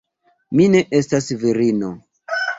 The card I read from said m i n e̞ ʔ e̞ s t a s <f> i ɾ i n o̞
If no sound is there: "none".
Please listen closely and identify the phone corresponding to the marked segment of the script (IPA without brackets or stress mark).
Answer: v